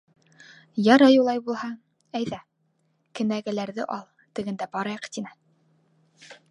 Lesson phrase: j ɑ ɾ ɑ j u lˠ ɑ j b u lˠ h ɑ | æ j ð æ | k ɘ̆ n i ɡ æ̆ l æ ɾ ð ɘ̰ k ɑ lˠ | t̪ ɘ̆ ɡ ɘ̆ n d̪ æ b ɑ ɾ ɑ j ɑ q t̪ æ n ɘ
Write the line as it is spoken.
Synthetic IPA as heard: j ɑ ɾ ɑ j u lˠ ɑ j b u lˠ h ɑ | æ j ð æ | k ɘ̆ n æ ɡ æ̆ l æ ɾ ð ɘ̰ ʔ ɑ lˠ | t̪ ɘ̆ ɡ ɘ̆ n d̪ æ b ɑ ɾ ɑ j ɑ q t̪ i n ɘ